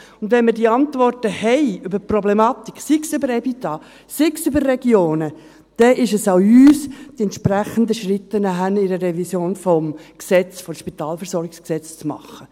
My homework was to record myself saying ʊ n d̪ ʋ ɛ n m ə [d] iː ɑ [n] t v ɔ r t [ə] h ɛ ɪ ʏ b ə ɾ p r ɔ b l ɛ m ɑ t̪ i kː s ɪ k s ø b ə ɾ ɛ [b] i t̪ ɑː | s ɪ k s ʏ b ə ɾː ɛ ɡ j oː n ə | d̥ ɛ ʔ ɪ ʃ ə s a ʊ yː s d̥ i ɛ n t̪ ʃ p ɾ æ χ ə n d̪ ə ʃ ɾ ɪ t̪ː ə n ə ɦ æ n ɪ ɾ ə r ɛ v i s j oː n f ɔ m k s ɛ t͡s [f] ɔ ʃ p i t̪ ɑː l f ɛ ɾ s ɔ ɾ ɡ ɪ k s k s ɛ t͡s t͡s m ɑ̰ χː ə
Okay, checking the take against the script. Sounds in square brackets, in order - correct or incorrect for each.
correct, correct, correct, correct, correct

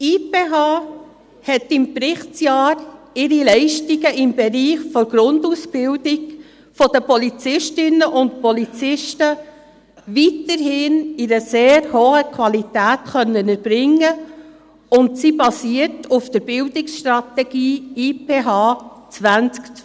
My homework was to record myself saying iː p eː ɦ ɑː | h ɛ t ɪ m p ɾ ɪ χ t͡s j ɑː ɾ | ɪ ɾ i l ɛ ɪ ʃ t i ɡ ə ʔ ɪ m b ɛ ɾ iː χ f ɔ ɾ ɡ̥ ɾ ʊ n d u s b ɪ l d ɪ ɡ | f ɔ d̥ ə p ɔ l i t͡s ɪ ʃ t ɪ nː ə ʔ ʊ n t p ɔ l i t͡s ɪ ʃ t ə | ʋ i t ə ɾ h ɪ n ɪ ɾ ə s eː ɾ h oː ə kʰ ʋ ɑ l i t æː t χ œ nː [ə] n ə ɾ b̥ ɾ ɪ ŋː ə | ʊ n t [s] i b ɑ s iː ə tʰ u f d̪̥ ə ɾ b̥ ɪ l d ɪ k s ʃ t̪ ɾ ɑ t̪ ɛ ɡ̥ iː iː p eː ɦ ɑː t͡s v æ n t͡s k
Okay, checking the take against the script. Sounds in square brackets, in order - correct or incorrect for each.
correct, correct

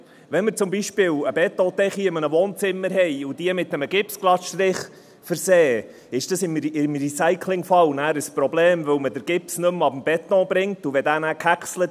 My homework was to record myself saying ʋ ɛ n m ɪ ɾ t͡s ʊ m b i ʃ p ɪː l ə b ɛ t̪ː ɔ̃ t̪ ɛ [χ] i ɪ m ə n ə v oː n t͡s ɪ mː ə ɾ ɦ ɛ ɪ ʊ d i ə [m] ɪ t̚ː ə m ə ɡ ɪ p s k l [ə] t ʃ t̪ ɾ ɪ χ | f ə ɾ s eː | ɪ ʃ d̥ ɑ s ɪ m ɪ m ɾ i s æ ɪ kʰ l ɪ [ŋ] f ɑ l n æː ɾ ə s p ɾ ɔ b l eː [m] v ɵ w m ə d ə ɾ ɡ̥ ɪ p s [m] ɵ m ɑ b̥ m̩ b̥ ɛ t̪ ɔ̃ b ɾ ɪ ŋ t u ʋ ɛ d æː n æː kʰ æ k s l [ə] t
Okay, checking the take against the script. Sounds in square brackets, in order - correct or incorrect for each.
correct, correct, incorrect, correct, correct, incorrect, correct

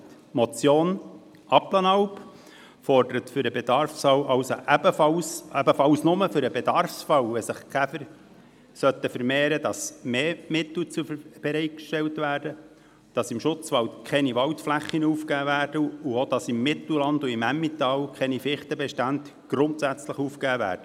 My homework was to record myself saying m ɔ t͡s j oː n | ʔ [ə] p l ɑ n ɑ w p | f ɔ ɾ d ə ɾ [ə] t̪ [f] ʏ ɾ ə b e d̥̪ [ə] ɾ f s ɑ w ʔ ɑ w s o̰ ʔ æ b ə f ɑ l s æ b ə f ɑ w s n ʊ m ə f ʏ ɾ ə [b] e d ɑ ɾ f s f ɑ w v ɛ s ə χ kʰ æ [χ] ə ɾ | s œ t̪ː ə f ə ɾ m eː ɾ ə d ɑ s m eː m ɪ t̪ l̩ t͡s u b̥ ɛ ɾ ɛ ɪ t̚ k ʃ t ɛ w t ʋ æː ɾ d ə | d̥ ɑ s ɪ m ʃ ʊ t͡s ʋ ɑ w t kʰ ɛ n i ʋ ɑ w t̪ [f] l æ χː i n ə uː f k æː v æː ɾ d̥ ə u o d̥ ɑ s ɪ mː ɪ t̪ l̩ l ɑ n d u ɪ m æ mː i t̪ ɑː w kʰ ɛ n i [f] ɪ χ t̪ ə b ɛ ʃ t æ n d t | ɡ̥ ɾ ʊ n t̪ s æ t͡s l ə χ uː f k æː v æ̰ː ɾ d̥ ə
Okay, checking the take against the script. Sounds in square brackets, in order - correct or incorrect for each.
incorrect, correct, correct, incorrect, correct, incorrect, correct, correct

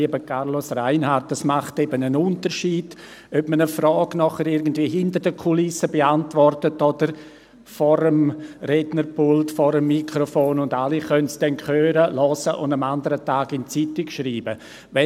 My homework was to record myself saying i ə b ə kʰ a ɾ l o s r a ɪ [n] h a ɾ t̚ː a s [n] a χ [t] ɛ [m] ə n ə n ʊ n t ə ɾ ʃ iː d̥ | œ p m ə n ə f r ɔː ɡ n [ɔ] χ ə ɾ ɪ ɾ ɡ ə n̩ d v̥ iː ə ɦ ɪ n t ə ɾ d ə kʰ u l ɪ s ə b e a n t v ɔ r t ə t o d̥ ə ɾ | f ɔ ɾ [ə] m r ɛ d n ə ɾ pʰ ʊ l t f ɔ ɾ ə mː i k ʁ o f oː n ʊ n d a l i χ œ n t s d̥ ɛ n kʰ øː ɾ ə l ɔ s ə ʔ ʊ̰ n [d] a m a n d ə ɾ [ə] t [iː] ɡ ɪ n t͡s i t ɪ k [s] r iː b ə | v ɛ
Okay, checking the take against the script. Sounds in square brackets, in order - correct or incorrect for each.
correct, incorrect, correct, incorrect, correct, correct, correct, correct, incorrect, incorrect

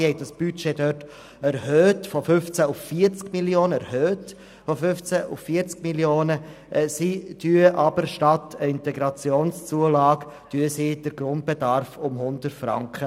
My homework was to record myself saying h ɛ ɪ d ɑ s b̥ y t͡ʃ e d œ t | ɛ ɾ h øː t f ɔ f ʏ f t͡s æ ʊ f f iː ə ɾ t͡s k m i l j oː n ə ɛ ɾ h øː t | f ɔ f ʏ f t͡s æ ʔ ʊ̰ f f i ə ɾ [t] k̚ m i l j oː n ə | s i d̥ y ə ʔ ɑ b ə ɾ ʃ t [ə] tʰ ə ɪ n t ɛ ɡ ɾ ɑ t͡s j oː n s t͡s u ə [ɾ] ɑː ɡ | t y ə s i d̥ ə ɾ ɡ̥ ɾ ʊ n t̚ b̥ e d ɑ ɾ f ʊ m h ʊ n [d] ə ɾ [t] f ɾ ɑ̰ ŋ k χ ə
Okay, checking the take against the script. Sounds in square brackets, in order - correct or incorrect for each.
incorrect, incorrect, incorrect, correct, correct

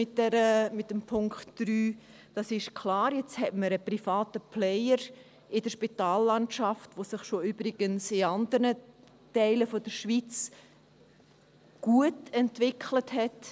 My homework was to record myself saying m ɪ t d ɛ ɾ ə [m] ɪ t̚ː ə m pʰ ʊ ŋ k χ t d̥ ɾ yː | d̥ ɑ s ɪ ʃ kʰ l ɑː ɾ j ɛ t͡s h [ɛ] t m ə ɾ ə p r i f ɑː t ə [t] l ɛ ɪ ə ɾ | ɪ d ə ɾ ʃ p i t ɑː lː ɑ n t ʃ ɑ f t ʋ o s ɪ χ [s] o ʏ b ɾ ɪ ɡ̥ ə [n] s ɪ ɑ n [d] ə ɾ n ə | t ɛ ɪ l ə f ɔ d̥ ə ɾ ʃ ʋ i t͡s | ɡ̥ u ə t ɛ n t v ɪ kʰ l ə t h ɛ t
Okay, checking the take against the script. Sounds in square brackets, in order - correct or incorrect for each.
correct, correct, incorrect, incorrect, correct, correct

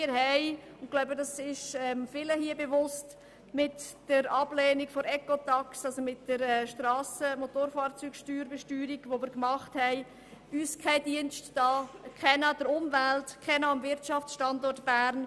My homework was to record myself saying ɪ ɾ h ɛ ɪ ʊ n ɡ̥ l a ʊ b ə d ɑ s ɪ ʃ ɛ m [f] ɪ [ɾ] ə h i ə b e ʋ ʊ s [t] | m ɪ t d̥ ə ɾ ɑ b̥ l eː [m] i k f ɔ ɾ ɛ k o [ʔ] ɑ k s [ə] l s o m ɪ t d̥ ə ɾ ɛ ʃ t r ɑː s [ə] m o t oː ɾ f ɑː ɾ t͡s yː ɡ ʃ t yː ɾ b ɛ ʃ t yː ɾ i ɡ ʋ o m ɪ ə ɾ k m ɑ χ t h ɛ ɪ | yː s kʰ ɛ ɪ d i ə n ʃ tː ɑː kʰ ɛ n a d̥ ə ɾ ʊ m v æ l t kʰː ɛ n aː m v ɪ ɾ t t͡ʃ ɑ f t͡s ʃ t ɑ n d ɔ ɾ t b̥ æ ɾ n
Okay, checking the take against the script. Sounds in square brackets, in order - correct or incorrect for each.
correct, incorrect, correct, incorrect, incorrect, incorrect, correct

